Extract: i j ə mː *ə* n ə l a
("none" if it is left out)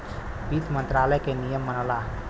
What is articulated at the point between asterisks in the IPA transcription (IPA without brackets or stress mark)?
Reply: ə